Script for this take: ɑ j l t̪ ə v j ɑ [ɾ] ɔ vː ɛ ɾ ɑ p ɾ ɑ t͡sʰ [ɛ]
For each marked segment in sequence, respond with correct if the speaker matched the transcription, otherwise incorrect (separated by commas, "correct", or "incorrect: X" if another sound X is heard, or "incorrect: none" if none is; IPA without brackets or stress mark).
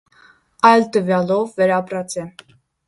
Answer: incorrect: l, correct